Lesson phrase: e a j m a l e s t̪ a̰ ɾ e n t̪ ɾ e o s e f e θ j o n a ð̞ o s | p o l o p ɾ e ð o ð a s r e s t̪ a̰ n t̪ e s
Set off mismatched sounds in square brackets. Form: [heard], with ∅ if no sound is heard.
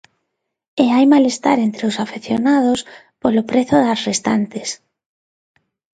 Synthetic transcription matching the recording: e a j m a l e s t̪ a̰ ɾ e n t̪ ɾ e o s [a] f e θ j o n a ð̞ o s | p o l o p ɾ e [θ] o ð a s r e s t̪ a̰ n t̪ e s